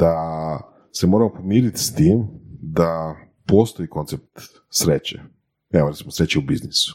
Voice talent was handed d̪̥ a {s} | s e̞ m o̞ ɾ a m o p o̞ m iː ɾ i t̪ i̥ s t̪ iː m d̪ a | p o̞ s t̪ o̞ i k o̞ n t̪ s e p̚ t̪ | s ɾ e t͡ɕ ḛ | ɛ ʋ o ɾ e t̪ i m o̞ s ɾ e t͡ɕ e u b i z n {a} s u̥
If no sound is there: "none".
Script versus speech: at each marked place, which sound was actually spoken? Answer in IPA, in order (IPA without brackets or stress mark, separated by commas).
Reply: none, i